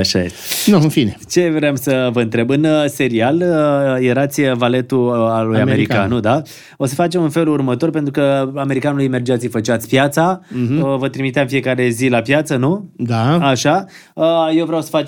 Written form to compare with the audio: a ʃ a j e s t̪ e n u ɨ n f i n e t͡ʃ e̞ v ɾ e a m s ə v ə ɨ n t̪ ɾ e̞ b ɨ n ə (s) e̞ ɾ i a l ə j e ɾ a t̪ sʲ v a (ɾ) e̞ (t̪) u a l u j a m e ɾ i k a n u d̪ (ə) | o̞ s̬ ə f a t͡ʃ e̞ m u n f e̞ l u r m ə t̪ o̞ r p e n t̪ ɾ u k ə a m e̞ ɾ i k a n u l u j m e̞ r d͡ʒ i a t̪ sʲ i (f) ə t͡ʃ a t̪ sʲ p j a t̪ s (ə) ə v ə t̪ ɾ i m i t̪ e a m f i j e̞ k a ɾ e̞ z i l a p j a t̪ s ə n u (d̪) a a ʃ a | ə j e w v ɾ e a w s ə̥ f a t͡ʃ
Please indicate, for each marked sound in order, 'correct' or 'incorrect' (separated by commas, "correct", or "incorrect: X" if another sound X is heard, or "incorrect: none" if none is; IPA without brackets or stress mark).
correct, incorrect: l, correct, incorrect: a, correct, incorrect: a, correct